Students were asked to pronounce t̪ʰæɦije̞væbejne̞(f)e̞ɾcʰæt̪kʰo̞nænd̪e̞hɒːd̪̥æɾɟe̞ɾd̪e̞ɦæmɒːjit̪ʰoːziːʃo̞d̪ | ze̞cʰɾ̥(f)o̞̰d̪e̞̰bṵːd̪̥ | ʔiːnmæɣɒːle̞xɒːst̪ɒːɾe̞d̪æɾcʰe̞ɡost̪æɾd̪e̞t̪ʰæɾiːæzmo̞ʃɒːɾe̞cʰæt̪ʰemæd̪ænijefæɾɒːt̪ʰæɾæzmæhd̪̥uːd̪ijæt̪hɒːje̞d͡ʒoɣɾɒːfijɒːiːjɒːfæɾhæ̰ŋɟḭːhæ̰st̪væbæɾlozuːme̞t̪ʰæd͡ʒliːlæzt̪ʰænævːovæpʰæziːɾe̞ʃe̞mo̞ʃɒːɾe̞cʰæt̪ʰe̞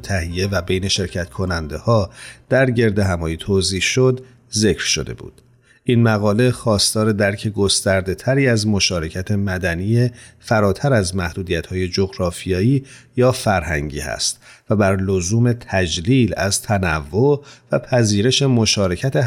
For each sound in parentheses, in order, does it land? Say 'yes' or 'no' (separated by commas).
no, no